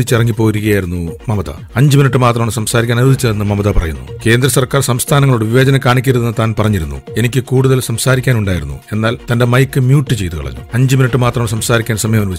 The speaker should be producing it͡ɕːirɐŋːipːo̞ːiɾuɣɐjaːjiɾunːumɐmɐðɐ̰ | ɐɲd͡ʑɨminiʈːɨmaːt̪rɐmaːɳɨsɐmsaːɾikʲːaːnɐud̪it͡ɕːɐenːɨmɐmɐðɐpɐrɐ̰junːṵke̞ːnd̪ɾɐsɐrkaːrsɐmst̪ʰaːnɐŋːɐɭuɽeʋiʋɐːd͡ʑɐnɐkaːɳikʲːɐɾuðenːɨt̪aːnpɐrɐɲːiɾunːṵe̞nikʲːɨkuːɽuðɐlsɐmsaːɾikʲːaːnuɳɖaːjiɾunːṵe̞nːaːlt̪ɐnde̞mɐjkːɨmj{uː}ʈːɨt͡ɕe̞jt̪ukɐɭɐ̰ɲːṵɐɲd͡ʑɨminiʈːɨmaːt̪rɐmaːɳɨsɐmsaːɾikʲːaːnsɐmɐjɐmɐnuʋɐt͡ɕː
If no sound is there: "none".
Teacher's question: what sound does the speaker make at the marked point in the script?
uː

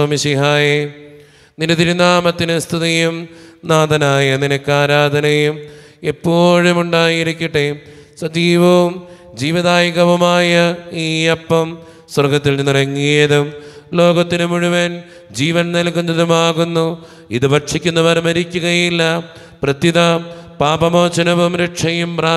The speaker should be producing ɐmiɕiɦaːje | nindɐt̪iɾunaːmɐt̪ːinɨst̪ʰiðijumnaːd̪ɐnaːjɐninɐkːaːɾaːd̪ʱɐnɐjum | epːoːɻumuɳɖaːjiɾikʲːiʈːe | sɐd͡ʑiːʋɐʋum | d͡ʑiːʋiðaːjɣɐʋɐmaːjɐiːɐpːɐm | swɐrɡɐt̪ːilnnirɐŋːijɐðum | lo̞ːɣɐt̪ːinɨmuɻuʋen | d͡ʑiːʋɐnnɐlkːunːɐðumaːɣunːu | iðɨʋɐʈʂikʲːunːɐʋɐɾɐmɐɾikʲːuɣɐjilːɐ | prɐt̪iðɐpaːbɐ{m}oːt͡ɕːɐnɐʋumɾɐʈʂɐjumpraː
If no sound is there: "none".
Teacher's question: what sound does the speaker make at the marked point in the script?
m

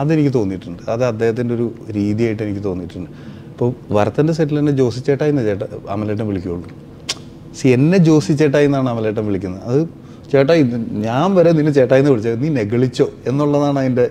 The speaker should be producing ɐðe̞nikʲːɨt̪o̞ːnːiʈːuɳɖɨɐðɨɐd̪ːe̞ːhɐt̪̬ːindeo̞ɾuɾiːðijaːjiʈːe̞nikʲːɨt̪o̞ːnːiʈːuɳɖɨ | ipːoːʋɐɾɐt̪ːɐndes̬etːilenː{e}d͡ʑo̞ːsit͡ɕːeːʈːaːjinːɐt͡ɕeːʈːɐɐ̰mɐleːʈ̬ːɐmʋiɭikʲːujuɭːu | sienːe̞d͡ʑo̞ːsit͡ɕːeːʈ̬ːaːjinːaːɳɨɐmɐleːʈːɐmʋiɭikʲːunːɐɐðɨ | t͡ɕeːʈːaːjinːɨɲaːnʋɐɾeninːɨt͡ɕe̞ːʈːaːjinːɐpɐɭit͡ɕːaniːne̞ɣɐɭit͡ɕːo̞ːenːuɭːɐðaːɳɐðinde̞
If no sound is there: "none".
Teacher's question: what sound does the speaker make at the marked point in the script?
e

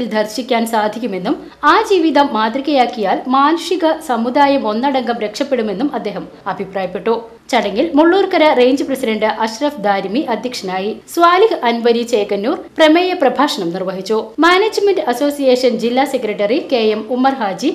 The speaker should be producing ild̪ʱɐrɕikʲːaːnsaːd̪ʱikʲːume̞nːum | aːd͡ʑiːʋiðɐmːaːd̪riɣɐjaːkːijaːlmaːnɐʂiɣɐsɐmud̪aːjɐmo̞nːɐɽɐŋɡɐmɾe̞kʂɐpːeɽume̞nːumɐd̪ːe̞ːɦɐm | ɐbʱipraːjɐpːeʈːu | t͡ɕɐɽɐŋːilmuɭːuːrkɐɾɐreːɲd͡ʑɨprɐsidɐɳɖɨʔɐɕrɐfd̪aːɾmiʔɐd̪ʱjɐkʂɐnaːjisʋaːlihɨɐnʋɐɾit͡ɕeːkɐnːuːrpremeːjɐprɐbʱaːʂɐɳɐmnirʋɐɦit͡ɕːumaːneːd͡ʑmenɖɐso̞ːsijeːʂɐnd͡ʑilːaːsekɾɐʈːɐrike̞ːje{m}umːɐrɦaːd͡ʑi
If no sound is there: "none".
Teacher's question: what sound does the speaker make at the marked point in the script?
m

